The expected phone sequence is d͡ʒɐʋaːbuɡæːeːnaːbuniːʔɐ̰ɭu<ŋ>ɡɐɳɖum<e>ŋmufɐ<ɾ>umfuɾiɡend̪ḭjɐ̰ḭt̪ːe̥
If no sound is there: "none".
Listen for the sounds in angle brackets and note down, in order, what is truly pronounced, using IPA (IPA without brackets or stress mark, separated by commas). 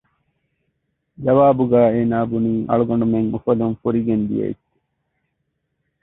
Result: none, e, l